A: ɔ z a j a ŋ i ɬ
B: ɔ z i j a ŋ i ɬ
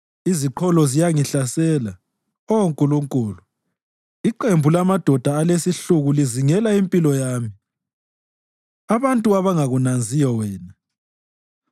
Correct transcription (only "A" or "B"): B